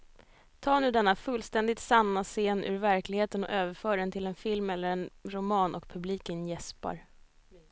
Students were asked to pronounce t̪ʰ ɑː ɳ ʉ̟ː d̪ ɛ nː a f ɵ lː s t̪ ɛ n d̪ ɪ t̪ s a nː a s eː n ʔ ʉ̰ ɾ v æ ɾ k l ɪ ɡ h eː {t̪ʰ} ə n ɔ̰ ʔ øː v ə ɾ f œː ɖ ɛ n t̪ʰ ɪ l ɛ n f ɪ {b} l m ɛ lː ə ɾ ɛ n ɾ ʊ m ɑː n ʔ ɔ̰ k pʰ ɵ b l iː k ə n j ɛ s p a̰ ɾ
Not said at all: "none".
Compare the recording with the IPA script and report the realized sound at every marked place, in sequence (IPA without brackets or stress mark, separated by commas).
t̪, none